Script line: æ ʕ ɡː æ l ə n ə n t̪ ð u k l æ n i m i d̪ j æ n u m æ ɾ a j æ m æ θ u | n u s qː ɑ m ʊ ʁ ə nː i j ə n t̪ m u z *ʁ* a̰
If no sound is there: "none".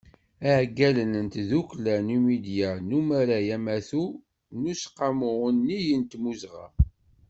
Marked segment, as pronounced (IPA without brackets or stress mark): ʁ